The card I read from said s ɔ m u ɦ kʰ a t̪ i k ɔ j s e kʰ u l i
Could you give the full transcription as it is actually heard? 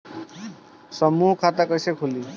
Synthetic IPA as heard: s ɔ m u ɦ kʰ a t̪ a k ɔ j s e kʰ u l i